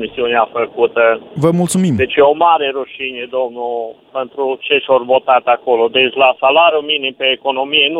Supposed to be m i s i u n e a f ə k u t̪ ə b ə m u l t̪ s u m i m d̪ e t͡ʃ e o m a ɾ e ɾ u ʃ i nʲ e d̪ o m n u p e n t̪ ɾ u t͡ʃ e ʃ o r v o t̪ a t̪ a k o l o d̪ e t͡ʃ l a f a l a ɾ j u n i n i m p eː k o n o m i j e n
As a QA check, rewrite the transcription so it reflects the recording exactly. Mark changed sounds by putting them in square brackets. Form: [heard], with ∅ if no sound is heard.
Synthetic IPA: m i s i u n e a f ə k u t̪ ə [v] ə m u l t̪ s u m i m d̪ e t͡ʃ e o m a ɾ e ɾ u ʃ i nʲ e d̪ o m n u p e n t̪ ɾ u t͡ʃ e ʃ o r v o t̪ a t̪ a k o l o d̪ e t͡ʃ l a [s] a l a ɾ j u [m] i n i m p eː k o n o m i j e n